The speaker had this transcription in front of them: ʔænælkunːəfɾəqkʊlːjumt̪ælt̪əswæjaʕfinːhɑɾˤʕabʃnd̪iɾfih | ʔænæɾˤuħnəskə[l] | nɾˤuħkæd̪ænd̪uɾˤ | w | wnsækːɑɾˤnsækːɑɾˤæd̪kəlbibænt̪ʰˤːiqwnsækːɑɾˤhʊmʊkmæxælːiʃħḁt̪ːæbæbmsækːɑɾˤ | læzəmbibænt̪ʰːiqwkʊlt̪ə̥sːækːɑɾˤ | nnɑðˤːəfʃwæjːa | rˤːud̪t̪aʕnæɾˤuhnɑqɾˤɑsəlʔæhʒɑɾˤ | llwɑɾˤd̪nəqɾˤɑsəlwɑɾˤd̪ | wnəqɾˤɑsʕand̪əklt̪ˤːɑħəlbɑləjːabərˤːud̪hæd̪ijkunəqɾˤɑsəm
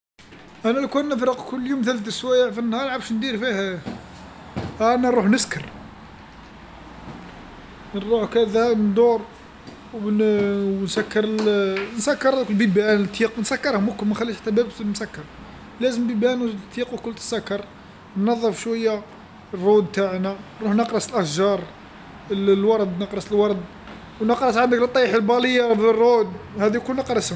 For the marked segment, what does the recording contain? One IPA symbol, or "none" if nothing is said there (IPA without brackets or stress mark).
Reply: ɾ